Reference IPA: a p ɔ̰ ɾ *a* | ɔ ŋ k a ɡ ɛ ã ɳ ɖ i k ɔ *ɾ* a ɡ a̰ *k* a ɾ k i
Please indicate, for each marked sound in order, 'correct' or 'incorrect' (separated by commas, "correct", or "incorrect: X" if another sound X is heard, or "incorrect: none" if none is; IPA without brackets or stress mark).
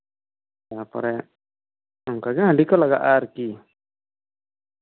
incorrect: ɛ, incorrect: l, incorrect: ʔ